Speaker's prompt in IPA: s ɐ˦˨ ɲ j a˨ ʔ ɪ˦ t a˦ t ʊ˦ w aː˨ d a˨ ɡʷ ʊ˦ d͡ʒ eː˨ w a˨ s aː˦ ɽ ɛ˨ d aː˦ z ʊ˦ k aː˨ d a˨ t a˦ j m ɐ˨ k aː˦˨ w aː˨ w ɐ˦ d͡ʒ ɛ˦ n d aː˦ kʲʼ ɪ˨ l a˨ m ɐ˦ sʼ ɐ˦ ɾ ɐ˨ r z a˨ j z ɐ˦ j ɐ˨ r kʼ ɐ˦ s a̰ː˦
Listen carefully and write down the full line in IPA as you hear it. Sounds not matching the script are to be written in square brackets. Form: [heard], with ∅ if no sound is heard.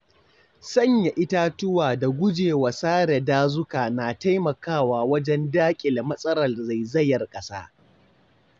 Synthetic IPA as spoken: s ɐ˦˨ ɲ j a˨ ʔ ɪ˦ t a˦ t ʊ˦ w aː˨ d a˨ ɡʷ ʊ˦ d͡ʒ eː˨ w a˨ s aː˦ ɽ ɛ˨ d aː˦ z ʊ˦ k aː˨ [n] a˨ t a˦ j m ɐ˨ k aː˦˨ w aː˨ w ɐ˦ d͡ʒ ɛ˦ n d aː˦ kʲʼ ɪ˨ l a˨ m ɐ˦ sʼ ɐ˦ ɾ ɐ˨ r z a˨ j z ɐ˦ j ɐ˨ r kʼ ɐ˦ s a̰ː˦

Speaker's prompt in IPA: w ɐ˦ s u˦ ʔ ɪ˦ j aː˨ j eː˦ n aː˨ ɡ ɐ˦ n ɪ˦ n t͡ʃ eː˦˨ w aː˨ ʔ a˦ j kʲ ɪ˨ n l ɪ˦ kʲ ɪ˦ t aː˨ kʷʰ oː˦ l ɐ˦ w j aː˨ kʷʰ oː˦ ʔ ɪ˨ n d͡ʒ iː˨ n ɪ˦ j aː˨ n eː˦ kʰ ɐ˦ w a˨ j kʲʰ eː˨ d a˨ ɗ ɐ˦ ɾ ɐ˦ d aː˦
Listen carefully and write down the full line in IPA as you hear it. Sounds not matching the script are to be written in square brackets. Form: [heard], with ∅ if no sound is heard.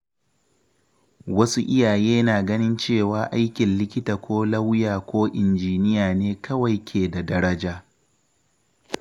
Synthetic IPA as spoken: w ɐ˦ s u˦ ʔ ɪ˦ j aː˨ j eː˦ n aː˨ ɡ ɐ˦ n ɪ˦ n t͡ʃ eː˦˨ w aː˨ ʔ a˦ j kʲ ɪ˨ n l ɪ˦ kʲ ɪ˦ t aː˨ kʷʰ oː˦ l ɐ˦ w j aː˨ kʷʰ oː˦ ʔ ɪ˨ n d͡ʒ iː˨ n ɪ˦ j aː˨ n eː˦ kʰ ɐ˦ w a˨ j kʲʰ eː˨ d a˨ [d] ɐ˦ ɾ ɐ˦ [d͡ʒ] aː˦

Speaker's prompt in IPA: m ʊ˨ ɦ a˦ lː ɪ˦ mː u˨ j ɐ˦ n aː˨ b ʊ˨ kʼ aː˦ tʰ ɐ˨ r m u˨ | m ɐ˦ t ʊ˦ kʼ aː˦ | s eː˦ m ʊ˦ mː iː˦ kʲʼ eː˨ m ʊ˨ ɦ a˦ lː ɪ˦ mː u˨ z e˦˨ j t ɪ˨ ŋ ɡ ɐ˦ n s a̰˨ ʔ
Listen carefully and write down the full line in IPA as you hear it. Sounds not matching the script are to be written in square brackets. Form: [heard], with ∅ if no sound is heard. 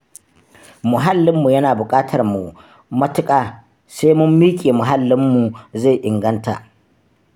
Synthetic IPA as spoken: m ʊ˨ ɦ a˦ lː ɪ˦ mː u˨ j ɐ˦ n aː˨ b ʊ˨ kʼ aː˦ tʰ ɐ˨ r m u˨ | m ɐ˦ t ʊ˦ kʼ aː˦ | s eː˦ m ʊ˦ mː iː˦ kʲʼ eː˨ m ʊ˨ ɦ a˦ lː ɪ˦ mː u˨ z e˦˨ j [ʔ] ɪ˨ ŋ ɡ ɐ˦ n [t] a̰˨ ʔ

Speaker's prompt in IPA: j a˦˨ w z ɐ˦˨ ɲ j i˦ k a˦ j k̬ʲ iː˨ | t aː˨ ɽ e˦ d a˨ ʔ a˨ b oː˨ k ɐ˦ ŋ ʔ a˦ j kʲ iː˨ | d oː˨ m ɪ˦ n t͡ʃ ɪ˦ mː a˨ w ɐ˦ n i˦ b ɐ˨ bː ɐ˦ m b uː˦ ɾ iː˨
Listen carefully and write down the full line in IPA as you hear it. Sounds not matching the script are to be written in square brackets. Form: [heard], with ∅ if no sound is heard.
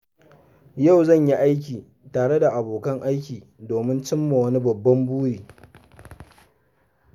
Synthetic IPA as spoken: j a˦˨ w z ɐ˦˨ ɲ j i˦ [ʔ] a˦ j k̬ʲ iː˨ | t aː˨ ɽ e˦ d a˨ ʔ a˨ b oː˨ k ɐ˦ ŋ ʔ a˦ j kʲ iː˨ | d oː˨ m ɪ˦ n t͡ʃ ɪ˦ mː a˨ w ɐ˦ n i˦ b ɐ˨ bː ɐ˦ m b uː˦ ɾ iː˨

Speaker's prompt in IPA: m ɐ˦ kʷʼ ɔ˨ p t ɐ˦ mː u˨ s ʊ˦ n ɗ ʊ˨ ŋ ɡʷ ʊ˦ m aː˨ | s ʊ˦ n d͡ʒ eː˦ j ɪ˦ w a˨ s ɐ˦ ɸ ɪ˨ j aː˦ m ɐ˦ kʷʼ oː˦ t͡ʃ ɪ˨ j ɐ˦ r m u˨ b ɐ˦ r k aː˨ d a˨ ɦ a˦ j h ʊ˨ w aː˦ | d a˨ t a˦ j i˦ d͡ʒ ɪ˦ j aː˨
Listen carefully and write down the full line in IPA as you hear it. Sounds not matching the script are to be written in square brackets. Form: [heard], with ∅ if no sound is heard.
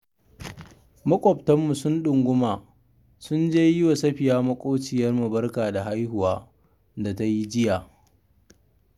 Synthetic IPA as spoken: m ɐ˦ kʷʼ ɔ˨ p t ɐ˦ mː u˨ s ʊ˦ n ɗ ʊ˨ ŋ ɡʷ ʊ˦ m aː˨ | s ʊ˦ n d͡ʒ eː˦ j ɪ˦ w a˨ s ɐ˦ ɸ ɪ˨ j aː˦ m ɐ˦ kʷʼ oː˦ t͡ʃ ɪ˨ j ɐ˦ r m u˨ b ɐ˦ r k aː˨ d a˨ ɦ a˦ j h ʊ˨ w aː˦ | d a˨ t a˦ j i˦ d͡ʒ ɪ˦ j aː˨

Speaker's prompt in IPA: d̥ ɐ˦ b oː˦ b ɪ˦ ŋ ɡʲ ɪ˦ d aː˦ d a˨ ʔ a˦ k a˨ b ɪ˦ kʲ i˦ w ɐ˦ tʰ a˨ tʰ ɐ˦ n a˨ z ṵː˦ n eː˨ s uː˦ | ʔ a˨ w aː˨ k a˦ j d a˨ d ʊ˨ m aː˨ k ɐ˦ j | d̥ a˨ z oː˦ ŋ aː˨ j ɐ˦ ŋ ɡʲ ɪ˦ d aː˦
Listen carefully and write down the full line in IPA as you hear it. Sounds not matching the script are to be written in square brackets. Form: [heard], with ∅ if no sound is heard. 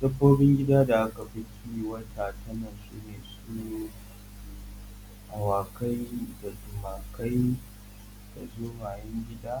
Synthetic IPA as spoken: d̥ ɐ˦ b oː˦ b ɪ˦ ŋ ɡʲ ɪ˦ d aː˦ d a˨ ʔ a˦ k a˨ b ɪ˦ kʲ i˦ w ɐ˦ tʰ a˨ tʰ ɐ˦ n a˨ [s] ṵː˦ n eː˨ s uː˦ | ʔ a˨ w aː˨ k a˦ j d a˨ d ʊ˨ m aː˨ k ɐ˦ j | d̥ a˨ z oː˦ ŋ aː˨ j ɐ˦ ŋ ɡʲ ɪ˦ d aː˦

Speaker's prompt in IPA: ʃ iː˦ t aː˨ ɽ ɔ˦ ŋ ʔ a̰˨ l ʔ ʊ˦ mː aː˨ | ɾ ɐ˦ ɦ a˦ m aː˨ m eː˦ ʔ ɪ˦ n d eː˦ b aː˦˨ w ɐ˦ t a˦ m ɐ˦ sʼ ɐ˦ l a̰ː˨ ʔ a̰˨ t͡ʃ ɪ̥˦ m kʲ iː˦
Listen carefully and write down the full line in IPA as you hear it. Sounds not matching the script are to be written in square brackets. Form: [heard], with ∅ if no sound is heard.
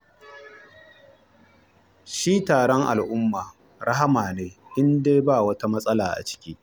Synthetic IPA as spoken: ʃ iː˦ t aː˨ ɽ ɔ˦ ŋ ʔ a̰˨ l ʔ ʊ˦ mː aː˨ | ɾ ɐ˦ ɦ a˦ m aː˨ [n] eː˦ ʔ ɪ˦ n d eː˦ b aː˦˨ w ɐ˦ t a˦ m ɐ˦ sʼ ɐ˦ l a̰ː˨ ʔ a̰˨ t͡ʃ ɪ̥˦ [∅] kʲ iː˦

